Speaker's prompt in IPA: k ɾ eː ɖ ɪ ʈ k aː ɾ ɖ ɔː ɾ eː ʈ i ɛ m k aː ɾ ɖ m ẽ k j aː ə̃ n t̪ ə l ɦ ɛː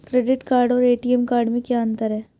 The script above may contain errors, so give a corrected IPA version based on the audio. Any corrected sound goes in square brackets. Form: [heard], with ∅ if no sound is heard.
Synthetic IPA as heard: k ɾ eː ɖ ɪ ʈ k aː ɾ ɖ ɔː ɾ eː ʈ i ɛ m k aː ɾ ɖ m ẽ k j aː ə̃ n t̪ ə [ɾ] ɦ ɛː